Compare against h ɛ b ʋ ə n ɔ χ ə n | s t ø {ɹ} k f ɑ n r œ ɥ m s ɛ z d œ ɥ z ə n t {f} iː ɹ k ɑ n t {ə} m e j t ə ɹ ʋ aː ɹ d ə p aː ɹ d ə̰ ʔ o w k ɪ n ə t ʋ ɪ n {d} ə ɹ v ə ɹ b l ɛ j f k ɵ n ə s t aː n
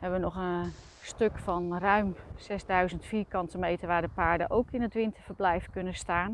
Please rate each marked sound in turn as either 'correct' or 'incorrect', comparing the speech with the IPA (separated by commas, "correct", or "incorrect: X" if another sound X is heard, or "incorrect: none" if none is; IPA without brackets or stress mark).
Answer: incorrect: none, correct, correct, incorrect: t